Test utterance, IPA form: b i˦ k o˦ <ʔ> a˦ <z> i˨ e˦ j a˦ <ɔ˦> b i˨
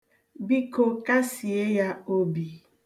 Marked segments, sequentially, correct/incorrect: incorrect, incorrect, incorrect

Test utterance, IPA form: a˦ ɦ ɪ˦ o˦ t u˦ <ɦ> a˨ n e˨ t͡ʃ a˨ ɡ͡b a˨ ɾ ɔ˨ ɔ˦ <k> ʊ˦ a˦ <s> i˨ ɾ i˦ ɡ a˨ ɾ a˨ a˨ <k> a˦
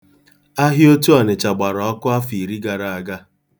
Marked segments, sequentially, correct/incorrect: incorrect, correct, incorrect, incorrect

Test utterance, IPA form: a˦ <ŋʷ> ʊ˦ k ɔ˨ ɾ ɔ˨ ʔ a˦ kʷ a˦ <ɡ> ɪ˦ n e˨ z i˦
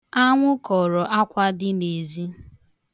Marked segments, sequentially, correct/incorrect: correct, incorrect

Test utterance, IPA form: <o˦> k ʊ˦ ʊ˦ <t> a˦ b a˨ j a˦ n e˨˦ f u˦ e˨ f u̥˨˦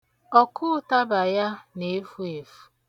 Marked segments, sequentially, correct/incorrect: incorrect, correct

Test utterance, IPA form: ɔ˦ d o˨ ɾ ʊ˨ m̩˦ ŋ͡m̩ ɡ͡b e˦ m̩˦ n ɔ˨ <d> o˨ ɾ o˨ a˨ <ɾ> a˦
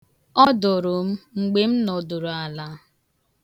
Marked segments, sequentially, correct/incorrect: correct, incorrect

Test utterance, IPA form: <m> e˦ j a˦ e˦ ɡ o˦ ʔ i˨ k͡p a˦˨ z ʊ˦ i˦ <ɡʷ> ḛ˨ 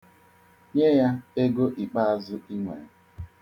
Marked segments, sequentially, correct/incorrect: incorrect, incorrect

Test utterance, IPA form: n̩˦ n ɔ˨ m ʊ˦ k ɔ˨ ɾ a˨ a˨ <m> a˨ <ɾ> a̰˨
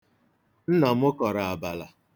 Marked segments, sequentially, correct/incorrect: incorrect, incorrect

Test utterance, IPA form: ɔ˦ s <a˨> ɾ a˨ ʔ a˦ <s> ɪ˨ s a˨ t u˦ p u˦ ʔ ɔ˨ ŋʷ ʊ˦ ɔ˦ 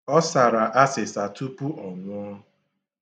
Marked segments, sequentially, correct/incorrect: correct, correct

